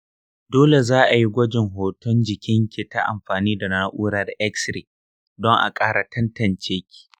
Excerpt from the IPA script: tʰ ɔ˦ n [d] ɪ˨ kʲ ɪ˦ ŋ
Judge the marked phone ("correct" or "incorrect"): incorrect